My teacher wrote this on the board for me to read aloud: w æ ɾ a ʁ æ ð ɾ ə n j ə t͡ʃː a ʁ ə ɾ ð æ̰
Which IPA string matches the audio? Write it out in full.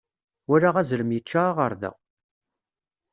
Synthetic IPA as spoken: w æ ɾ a ʁ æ z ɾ ə m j ə t͡ʃː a ʁ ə ɾ ð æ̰